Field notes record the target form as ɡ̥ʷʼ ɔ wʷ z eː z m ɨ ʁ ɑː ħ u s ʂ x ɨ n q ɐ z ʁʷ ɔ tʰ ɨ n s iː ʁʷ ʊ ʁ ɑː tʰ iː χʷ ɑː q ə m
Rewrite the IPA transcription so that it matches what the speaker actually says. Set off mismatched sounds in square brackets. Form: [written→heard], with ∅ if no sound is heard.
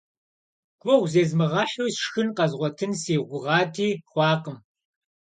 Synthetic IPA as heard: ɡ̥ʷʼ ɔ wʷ z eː z m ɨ ʁ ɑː ħ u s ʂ x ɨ n q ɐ z ʁʷ ɔ tʰ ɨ n s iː ʁʷ ʊ ʁ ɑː tʰ iː χʷ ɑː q ə m